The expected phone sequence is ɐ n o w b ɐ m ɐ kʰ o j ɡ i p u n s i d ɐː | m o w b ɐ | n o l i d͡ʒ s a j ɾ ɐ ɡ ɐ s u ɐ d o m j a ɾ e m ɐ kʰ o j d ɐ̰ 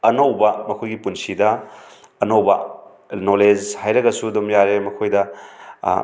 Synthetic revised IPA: ɐ n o w b ɐ m ɐ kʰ o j ɡ i p u n s i d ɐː | n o w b ɐ | n o l e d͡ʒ h a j ɾ ɐ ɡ ɐ s u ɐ d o m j a ɾ e m ɐ kʰ o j d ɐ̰